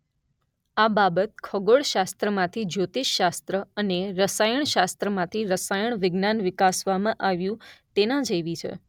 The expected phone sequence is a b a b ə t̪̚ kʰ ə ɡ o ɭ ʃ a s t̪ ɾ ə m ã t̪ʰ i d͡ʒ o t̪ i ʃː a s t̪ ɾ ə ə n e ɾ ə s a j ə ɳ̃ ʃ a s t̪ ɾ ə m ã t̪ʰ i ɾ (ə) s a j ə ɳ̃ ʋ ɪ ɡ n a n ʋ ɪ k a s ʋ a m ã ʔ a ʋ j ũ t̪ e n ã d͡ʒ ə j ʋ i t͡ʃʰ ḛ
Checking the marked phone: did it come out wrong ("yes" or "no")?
no